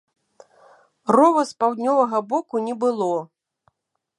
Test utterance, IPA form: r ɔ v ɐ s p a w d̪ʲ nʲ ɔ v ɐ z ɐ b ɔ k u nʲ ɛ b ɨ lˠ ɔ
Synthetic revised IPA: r ɔ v ɐ s p a w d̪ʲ nʲ ɔ v ɐ ɣ ɐ b ɔ k u nʲ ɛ b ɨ lˠ ɔ